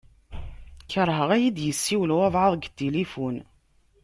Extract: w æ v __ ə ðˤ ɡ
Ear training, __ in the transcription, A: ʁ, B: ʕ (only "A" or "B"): B